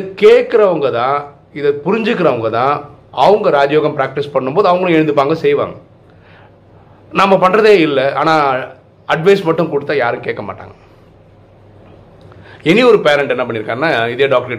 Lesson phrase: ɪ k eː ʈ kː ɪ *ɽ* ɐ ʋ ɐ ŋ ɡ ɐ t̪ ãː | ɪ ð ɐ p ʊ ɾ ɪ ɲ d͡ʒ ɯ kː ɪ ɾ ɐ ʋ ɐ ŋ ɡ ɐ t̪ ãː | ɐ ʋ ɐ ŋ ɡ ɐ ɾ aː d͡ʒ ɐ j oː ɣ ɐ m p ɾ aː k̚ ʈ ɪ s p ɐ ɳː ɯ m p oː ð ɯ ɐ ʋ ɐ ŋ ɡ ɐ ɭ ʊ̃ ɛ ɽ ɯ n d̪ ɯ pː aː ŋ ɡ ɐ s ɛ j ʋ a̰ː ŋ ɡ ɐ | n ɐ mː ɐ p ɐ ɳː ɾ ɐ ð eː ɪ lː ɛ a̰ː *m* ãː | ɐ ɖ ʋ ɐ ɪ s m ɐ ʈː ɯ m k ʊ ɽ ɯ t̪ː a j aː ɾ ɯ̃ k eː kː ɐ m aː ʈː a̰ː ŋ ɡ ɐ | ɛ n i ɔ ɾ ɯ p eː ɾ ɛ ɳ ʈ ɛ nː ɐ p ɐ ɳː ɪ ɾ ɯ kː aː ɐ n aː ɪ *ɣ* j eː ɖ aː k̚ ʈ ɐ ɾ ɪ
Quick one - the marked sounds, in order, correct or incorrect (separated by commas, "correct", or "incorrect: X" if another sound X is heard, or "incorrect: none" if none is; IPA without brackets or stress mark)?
incorrect: ɾ, incorrect: n, incorrect: ð